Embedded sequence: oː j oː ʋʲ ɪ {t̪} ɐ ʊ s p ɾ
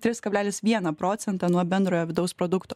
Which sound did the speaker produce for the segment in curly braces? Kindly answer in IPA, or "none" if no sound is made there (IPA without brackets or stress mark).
d̪